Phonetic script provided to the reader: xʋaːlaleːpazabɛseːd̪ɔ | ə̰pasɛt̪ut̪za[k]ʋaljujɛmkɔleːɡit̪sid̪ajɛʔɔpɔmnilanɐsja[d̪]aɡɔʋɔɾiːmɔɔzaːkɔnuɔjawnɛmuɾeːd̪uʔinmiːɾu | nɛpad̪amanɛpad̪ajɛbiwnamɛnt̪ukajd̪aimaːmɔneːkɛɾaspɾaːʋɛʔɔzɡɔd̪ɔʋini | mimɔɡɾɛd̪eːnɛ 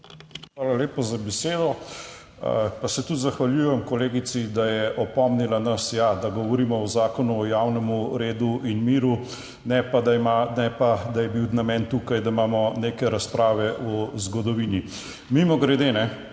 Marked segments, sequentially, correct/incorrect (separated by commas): incorrect, correct